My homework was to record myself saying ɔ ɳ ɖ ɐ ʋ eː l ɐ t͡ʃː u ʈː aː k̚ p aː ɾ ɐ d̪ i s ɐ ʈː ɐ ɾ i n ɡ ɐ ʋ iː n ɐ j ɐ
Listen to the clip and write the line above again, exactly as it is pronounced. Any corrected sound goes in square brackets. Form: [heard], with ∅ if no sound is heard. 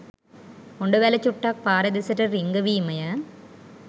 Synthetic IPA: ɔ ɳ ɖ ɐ ʋ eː l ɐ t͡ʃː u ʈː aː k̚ p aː ɾ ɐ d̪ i s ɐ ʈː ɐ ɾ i [ŋ] ɡ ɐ ʋ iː [m] ɐ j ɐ